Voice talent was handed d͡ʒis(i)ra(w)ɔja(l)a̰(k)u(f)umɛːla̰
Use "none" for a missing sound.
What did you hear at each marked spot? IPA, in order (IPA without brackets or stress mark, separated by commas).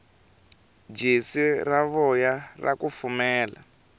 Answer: i, β, r, k, f